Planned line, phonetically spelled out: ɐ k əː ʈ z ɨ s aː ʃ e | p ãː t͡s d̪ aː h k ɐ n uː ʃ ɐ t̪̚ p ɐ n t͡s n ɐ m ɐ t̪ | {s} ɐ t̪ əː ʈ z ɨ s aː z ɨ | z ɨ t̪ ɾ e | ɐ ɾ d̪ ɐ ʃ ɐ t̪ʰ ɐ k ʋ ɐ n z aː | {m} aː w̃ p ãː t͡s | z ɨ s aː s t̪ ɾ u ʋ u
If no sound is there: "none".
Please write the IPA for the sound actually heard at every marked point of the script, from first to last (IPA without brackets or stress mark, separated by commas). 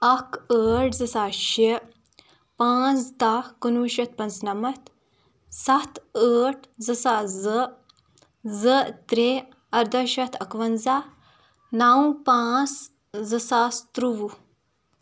s, n